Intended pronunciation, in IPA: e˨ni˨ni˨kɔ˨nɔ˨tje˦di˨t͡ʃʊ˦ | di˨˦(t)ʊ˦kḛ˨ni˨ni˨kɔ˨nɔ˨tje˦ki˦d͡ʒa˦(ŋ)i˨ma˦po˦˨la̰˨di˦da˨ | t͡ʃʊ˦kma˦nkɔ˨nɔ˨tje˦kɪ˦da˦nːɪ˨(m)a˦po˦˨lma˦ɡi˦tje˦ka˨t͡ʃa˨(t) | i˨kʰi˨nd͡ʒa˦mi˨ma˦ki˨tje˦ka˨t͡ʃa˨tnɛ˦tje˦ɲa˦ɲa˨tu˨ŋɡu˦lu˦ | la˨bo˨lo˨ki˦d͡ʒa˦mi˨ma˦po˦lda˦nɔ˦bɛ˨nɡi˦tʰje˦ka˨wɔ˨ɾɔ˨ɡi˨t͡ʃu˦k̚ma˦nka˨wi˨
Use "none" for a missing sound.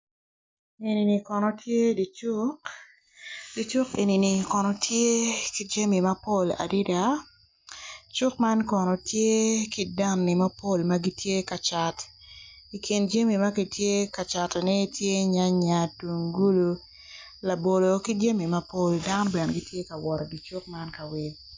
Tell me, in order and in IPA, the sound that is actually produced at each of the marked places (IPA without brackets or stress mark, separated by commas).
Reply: t͡ʃ, m, m, t